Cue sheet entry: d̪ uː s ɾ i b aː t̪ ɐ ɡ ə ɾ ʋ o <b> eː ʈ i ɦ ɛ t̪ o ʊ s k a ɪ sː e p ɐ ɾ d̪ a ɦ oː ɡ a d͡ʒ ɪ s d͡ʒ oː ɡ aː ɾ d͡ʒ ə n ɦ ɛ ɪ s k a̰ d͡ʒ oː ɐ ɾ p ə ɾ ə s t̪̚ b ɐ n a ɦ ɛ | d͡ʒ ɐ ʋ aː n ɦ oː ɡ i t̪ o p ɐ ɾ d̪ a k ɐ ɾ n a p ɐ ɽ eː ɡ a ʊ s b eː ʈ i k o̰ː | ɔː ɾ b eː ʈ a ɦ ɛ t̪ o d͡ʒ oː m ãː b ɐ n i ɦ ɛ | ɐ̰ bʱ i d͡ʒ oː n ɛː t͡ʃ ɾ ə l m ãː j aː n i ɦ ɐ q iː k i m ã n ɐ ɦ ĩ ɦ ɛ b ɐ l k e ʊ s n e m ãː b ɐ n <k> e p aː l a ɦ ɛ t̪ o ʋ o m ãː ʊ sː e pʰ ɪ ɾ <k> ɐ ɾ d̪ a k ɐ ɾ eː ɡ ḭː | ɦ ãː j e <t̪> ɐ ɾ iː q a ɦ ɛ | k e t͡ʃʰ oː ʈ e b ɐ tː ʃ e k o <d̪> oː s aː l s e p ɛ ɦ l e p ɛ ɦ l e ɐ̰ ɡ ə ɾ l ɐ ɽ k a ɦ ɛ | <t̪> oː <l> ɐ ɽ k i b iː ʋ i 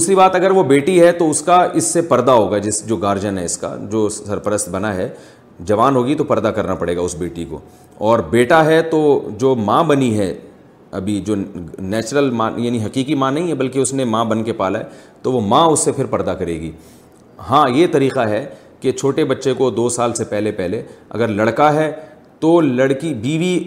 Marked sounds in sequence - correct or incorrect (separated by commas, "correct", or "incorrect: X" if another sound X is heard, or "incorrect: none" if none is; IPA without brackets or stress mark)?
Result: correct, correct, incorrect: p, correct, correct, correct, correct